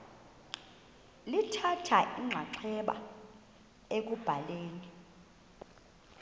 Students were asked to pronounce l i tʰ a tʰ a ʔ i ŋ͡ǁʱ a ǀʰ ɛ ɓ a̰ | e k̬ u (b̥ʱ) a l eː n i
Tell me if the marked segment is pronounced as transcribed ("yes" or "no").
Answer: yes